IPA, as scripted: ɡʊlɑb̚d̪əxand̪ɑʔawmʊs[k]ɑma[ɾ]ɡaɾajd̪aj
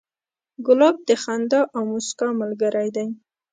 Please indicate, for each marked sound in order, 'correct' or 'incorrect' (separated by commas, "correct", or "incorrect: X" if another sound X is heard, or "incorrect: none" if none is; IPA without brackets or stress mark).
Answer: correct, incorrect: l